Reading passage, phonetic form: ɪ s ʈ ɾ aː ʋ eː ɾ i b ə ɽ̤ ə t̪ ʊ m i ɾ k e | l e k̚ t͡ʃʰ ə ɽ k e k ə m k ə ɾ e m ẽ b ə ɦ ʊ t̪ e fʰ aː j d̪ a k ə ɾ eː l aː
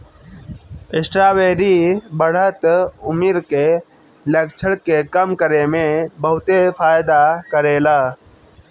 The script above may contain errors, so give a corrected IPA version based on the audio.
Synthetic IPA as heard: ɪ s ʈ ɾ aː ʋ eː ɾ i b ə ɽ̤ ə t̪ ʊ m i ɾ k e | l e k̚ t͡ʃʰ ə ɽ k e k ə m k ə ɾ e m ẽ b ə ɦ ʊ t̪ e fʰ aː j d̪ a k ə ɾ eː l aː